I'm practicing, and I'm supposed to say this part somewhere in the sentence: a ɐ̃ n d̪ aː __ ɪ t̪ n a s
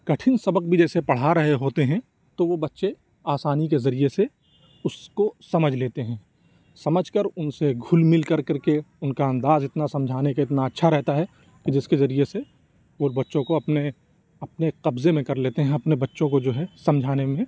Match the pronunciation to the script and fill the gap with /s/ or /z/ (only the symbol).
z